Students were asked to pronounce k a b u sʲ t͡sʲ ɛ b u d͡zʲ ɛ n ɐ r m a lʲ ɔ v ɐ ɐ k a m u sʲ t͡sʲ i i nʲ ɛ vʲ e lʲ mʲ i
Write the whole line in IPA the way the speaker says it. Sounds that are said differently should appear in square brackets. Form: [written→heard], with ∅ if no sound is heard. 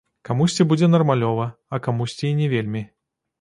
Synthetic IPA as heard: k a [b→m] u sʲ t͡sʲ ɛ b u d͡zʲ ɛ n ɐ r m a lʲ ɔ v ɐ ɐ k a m u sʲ t͡sʲ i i nʲ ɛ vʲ e lʲ mʲ i